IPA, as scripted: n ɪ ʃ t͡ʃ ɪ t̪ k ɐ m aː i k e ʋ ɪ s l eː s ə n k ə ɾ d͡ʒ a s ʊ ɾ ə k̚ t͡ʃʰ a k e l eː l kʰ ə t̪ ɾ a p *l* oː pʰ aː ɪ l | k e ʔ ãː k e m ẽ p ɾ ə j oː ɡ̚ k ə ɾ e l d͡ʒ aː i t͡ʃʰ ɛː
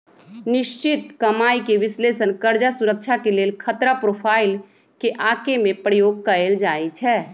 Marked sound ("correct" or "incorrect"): incorrect